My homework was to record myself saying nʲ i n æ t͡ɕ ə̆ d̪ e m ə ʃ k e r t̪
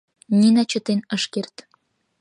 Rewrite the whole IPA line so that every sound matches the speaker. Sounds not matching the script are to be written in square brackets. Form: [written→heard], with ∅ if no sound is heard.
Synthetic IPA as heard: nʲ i n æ t͡ɕ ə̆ [d̪→t̪] e [m→n] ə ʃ k e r t̪